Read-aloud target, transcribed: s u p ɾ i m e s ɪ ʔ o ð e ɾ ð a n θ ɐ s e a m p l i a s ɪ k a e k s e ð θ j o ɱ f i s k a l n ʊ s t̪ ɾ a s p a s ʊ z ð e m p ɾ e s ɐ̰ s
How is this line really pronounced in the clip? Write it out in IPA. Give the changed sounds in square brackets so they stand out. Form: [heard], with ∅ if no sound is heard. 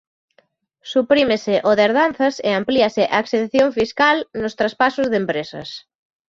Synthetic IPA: s u p ɾ i m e s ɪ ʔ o ð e ɾ ð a n θ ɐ s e a m p l i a s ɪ [ʔ] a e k s e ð θ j o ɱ f i s k a l n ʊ s t̪ ɾ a s p a s ʊ z ð e m p ɾ e s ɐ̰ s